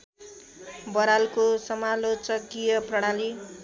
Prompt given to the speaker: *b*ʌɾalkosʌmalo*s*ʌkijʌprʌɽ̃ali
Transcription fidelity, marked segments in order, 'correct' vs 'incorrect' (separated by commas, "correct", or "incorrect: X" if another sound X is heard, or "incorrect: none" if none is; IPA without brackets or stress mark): correct, incorrect: t͡s